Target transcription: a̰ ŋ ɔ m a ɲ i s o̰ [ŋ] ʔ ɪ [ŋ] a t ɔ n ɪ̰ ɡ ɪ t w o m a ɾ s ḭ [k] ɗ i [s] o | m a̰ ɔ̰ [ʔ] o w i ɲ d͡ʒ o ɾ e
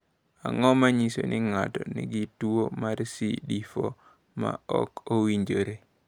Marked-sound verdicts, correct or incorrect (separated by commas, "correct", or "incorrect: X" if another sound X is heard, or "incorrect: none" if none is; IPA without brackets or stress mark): incorrect: n, correct, incorrect: none, incorrect: f, incorrect: k